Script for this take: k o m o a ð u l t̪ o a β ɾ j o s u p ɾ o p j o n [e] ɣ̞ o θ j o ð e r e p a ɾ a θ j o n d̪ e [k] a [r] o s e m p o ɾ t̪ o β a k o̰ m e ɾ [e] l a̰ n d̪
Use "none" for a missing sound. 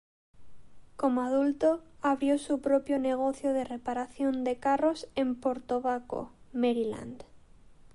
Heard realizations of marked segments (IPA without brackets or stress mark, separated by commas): e, k, r, i